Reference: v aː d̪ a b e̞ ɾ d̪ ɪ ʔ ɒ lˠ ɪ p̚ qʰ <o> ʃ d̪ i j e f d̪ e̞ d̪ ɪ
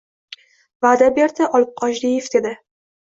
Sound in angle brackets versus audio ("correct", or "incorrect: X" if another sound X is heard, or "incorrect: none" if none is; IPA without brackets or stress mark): incorrect: ɒ